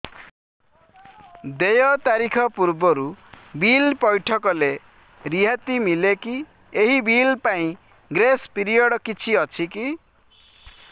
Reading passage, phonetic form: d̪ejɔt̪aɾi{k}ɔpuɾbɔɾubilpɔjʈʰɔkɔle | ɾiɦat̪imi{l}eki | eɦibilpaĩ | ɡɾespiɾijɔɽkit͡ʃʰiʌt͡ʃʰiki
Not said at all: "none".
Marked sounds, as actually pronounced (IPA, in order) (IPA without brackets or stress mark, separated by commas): kʰ, l